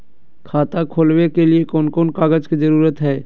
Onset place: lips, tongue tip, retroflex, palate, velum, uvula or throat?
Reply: velum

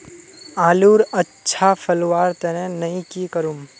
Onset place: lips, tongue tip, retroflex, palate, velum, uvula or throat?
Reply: tongue tip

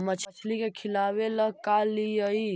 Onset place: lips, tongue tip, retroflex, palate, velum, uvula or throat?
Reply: lips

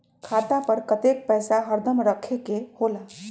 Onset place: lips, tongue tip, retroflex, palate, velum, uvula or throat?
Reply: velum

